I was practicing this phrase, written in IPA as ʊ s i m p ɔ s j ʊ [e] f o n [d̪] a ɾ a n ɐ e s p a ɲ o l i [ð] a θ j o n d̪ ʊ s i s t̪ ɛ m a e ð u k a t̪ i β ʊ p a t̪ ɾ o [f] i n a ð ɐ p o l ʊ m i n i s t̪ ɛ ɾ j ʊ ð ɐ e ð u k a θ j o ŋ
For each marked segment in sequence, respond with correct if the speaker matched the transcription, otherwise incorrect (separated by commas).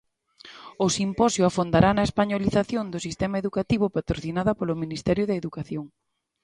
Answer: incorrect, correct, incorrect, incorrect